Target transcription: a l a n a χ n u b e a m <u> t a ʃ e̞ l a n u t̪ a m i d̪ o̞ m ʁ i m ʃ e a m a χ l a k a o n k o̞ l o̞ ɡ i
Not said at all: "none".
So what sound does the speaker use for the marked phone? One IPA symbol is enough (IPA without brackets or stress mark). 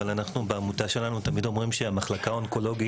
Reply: u